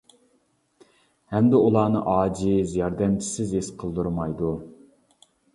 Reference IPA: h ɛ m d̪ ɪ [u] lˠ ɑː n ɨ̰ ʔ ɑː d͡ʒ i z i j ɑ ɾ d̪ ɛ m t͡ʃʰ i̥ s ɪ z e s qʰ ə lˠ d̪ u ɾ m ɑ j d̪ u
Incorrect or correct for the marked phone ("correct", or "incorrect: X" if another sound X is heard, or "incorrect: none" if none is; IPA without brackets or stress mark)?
correct